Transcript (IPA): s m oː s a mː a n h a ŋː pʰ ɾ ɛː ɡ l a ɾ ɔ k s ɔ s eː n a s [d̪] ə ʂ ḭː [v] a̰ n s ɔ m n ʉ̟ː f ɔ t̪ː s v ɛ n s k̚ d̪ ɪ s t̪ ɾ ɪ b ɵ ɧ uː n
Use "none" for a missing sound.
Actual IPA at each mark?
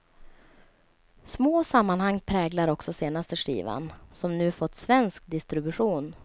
t̪, v

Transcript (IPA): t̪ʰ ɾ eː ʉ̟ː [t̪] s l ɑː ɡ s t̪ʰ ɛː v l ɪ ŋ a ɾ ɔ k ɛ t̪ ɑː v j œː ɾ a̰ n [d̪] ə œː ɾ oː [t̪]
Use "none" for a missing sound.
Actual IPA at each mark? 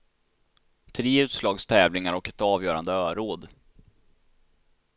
t̪, d̪, d̪

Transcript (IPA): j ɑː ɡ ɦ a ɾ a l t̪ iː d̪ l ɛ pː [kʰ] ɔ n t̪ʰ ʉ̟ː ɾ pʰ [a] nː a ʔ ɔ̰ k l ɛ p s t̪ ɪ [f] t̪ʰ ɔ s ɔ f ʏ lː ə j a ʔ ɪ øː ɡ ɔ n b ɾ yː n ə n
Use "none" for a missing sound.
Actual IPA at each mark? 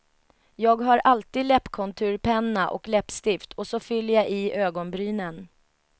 kʰ, ɛ, f

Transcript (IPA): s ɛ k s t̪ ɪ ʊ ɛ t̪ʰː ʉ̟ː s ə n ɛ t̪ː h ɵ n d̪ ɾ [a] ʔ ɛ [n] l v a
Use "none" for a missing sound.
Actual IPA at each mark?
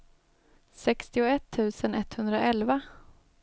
a, none

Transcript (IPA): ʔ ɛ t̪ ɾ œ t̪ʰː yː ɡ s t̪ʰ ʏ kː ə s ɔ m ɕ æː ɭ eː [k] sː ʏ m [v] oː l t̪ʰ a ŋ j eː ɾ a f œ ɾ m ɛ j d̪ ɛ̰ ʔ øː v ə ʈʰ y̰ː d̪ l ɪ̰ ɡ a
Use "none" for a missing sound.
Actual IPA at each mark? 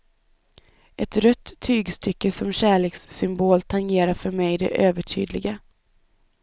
k, b

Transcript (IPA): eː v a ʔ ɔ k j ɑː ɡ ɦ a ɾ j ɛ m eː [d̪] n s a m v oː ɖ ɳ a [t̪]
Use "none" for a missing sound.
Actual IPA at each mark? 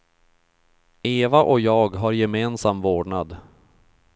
none, d̪

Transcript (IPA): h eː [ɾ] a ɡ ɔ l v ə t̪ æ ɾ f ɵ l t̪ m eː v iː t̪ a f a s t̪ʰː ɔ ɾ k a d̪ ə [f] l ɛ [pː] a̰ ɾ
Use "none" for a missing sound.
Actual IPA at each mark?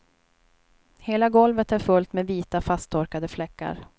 l, f, kː

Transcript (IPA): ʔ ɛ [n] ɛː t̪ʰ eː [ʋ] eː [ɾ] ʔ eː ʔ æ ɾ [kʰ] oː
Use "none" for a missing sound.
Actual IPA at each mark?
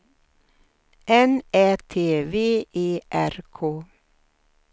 n, ʋ, none, kʰ

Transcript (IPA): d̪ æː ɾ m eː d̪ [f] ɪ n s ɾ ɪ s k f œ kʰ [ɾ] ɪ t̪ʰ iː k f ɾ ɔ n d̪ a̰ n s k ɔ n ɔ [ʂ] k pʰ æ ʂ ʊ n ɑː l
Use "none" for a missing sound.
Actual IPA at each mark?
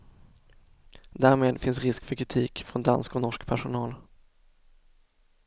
f, ɾ, ʂ

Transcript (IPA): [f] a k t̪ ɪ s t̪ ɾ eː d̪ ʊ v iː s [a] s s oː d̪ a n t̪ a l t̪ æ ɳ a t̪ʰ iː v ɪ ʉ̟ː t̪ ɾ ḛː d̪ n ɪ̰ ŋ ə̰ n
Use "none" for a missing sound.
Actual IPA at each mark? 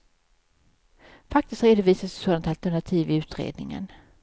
f, a

